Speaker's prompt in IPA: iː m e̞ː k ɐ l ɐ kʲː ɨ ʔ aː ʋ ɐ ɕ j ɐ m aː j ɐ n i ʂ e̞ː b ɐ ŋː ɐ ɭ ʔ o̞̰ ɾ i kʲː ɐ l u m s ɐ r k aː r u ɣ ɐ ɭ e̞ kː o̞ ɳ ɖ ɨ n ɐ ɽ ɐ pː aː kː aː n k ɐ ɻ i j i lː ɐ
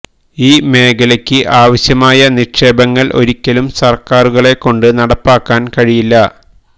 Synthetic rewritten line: iː m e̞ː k ɐ l ɐ kʲː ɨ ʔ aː ʋ ɐ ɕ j ɐ m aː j ɐ n i ʂ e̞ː b ɐ ŋː ɐ ɭ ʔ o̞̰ ɾ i kʲː ɐ l u m s ɐ r k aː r u ɣ ɐ ɭ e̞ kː o̞ ɳ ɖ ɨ n ɐ ɽ ɐ pː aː kː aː n k ɐ ɻ i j i lː ɐ